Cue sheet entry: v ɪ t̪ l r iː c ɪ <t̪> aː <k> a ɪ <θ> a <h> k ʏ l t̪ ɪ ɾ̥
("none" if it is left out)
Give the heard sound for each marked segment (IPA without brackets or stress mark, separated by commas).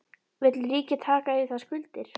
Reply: t̪ʰ, k, θ, s